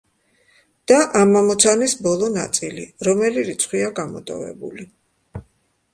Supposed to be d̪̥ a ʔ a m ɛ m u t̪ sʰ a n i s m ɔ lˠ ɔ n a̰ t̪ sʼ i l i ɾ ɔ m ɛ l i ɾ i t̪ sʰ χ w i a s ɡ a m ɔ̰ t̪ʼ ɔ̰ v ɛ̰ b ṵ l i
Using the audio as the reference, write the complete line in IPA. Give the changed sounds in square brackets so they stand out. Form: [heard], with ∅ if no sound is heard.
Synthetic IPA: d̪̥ a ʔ a m [a] m [ɔ] t̪ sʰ a n i s [b] ɔ lˠ ɔ n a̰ t̪ sʼ i l i ɾ ɔ m ɛ l i ɾ i t̪ sʰ χ w i a [∅] ɡ a m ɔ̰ t̪ʼ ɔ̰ v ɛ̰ b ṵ l i